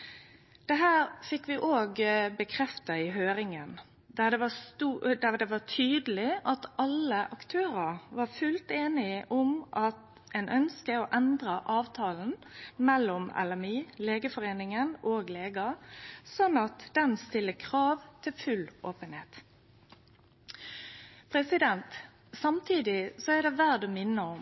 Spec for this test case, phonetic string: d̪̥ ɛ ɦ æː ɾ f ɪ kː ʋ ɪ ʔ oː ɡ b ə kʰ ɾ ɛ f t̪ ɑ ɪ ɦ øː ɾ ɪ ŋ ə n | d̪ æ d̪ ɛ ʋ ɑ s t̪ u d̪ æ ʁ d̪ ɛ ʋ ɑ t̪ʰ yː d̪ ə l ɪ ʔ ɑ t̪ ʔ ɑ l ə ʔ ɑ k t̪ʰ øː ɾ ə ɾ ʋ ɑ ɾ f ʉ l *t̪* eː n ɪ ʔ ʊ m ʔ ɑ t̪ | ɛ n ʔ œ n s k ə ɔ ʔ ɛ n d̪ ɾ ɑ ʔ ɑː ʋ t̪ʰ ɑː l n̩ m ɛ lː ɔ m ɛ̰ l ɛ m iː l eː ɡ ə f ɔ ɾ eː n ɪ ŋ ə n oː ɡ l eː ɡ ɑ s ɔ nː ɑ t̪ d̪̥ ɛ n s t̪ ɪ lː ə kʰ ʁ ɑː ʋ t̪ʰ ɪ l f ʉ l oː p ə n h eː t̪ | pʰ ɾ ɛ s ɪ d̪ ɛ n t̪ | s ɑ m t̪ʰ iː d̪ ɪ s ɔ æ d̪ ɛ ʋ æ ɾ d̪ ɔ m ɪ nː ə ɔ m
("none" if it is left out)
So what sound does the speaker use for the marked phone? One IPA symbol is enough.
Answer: t̪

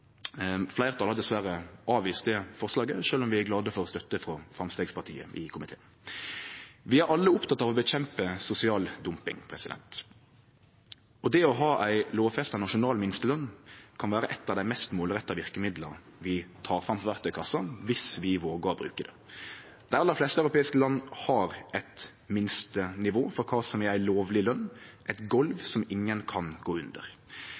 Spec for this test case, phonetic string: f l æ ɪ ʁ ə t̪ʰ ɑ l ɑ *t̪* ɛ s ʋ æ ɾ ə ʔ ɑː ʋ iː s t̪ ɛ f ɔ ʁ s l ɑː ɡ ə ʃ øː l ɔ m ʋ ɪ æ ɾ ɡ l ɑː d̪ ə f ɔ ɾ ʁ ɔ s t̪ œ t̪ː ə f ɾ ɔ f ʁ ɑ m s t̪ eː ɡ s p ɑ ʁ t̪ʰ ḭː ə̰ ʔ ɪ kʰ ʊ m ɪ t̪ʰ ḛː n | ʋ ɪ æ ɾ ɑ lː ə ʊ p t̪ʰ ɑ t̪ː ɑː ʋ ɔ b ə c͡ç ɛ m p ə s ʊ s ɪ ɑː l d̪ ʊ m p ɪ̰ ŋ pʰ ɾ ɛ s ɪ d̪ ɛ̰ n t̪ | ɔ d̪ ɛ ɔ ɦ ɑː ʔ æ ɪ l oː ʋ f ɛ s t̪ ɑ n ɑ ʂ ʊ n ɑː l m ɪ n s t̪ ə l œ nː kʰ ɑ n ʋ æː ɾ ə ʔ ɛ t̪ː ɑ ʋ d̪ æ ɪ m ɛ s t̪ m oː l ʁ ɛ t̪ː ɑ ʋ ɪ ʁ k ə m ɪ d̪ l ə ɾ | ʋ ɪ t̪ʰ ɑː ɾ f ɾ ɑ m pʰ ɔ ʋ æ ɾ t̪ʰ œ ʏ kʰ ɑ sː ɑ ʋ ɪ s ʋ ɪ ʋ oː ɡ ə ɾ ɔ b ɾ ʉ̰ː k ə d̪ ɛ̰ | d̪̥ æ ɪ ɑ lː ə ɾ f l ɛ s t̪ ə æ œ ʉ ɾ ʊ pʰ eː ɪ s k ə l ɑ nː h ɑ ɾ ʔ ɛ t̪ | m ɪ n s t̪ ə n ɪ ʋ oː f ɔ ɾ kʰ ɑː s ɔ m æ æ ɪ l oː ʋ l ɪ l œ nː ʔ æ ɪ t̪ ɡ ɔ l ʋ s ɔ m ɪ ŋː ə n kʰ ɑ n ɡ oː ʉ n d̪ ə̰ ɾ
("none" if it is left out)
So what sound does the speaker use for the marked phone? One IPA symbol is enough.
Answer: d̪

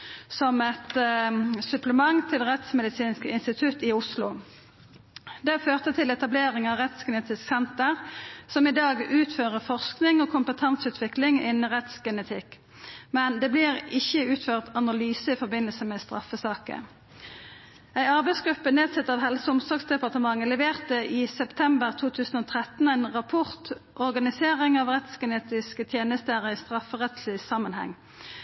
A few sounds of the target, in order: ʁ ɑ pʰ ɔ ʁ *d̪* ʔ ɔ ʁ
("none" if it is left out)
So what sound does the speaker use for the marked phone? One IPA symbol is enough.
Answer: t̪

